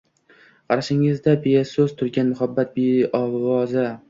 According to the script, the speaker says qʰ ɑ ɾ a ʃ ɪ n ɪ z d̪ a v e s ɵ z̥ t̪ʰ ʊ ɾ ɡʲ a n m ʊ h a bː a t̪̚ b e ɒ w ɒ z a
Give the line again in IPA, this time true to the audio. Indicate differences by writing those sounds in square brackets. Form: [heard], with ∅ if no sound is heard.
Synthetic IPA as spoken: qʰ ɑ ɾ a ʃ ɪ [ŋ] ɪ z d̪ a [b] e s ɵ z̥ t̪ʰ ʊ ɾ ɡʲ a n m ʊ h a bː a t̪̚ b e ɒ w ɒ z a